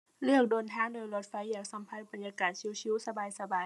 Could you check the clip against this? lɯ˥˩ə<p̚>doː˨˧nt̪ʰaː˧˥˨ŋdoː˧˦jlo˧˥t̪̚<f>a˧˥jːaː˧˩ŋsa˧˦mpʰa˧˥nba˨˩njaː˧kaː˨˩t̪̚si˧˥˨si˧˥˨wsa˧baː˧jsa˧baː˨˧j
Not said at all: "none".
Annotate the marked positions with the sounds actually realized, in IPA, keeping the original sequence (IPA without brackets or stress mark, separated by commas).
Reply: k̚, f